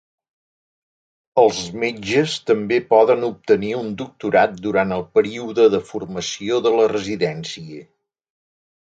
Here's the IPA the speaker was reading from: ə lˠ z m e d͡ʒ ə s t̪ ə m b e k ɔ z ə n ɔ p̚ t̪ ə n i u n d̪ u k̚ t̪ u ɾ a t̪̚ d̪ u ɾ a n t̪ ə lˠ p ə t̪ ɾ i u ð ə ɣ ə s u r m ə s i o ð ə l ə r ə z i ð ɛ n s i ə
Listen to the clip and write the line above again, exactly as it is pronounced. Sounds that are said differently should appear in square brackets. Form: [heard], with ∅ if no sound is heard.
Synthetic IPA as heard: ə lˠ z m e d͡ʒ ə s t̪ ə m b e [p] ɔ [ð] ə n [u] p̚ t̪ ə n i u n d̪ u k̚ t̪ u ɾ a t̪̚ d̪ u ɾ a n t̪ ə lˠ p ə [∅] ɾ i u ð ə [ð] ə [f] u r m ə s i o ð ə l ə r ə z i ð ɛ n s i ə

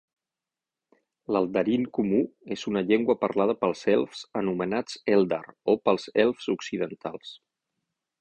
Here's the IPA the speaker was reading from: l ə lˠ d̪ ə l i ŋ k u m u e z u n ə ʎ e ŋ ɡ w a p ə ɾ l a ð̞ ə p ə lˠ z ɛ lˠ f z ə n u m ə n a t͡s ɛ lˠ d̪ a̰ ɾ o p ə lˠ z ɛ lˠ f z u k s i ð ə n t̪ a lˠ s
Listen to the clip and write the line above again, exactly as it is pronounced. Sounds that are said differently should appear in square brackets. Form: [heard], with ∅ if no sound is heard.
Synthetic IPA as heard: l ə lˠ d̪ ə [ɾ] i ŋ k u m u e z u n ə ʎ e ŋ ɡ w [ə] p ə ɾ l a ð̞ ə p ə lˠ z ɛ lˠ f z ə n u m ə n a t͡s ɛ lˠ d̪ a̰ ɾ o p ə lˠ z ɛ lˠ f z u k s i ð ə n t̪ a lˠ s

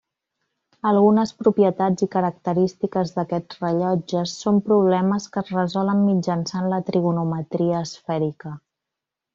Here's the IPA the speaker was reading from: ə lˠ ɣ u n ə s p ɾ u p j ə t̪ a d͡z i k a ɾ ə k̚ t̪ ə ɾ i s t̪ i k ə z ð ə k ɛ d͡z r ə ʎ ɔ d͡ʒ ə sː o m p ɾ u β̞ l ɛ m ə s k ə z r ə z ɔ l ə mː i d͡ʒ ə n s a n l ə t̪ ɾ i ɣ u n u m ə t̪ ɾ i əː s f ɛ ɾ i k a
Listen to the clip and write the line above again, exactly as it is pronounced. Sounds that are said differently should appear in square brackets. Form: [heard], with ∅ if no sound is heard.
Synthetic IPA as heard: ə lˠ ɣ u n ə s p ɾ u p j ə t̪ a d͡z i k [ə] ɾ ə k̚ t̪ ə ɾ i s t̪ i k ə z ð ə k ɛ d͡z r ə ʎ ɔ d͡ʒ ə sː o m p ɾ u β̞ l ɛ m ə s k ə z r ə z ɔ l ə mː i d͡ʒ ə n s a n l ə t̪ ɾ i ɣ u n u m ə t̪ ɾ i əː s f ɛ ɾ i k [ə]

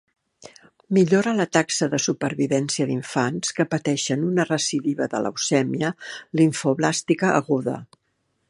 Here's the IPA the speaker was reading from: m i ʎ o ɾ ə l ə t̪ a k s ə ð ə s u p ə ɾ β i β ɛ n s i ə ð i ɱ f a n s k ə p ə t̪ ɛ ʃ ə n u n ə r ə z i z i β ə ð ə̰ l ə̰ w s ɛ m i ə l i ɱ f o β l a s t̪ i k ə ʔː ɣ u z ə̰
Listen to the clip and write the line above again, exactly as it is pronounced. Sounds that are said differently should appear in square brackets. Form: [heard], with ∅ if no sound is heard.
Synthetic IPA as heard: m i ʎ o ɾ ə l ə t̪ a k s ə ð ə s u p ə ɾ β i β ɛ n s i ə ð i ɱ f a n s k ə p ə t̪ ɛ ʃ ə n u n ə r ə [s] i [ð] i β ə ð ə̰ l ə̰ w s ɛ m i ə l i ɱ f o β l a s t̪ i k ə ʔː ɣ u [ð] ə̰

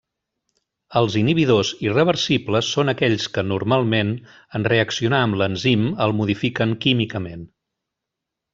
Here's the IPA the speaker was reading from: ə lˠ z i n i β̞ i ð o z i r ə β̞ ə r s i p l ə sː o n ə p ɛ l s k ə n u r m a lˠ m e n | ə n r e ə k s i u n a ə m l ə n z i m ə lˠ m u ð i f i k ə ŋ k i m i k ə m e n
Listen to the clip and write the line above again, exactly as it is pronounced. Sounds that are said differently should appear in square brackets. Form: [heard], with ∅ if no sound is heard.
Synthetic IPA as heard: ə lˠ z i n i β̞ i ð o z i r ə β̞ ə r s i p l ə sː o n ə [k] ɛ [ʎ] s k ə n u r m a lˠ m e n | ə n r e ə k s i u n a ə m l ə n z i m ə lˠ m u ð i f i k ə ŋ k i m i k ə m e n

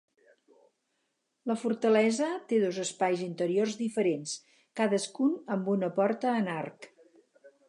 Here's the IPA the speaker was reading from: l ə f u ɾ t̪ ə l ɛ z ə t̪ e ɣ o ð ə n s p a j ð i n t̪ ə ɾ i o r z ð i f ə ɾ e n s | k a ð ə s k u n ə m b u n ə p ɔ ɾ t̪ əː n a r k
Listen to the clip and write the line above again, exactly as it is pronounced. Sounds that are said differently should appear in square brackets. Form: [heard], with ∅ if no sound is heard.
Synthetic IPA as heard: l ə f u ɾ t̪ ə l ɛ z ə t̪ e [ð] o [z] ə [∅] s p a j [z] i n t̪ ə ɾ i o r z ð i f ə ɾ e n s | k a ð ə s k u n ə m b u n ə p ɔ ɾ t̪ əː n a r k

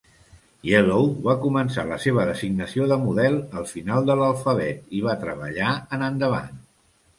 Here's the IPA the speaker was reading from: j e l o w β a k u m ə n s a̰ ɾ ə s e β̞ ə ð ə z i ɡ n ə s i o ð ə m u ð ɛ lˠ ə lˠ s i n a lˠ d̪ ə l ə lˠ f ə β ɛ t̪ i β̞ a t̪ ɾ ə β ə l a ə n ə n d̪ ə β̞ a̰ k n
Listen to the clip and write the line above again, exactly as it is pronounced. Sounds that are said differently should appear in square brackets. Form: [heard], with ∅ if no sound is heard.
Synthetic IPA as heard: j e l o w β a k u m ə n s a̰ [l] ə s e β̞ ə ð ə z i ɡ n ə s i o ð ə m u ð ɛ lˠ ə lˠ [f] i n a lˠ d̪ ə l ə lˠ f ə β ɛ t̪ i β̞ a t̪ ɾ ə β ə [ʎ] a ə n ə n d̪ ə β̞ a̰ [∅] n

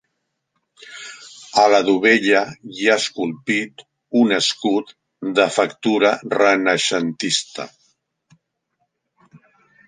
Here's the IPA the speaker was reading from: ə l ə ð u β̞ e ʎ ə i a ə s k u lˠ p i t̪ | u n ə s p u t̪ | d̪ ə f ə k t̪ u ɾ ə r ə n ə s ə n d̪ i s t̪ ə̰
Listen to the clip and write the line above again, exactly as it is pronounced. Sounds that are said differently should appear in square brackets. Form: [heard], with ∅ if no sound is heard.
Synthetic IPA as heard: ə l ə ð u β̞ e ʎ ə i a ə s k u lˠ p i t̪ | u n ə s [k] u t̪ | d̪ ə f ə k t̪ u ɾ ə r ə n ə [ʃ] ə n [t̪] i s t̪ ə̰

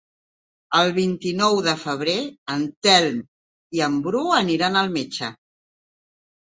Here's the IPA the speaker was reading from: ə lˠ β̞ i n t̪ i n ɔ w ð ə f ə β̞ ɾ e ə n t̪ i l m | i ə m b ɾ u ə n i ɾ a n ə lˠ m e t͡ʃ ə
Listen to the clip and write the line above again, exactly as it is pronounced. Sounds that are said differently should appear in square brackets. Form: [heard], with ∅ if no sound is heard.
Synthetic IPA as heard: ə lˠ β̞ i n t̪ i n ɔ w ð ə f ə β̞ ɾ e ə n t̪ [ɛ] l m | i ə m b ɾ u ə n i ɾ a n ə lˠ m e t͡ʃ ə

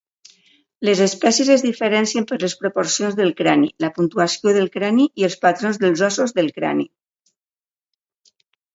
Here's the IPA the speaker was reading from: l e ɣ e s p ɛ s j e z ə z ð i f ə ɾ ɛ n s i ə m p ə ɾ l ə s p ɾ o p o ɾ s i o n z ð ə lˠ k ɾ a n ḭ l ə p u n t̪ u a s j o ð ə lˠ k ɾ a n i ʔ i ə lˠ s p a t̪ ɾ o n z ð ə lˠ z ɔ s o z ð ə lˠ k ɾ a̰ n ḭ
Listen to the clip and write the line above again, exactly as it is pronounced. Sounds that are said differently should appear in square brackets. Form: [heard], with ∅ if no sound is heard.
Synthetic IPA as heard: l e [z] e s p ɛ s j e z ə z ð i f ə ɾ ɛ n s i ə m p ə ɾ l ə s p ɾ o p o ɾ s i o n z ð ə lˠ k ɾ a n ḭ l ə p u n t̪ u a s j o ð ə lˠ k ɾ a n i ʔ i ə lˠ s p a t̪ ɾ o n z ð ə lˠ z ɔ s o z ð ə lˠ k ɾ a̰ n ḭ

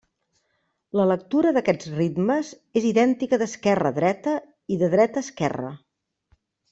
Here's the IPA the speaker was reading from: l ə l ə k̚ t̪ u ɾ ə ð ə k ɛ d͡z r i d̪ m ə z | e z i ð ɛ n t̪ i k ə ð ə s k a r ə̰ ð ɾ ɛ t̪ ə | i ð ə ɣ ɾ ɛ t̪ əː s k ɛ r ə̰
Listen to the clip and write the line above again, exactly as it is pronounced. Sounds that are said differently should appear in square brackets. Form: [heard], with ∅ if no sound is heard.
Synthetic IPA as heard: l ə l ə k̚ t̪ u ɾ ə ð ə k ɛ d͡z r i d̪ m ə z | e z i ð ɛ n t̪ i k ə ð ə s k [ɛ] r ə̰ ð ɾ ɛ t̪ ə | i ð ə [ð] ɾ ɛ t̪ əː s k ɛ r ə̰

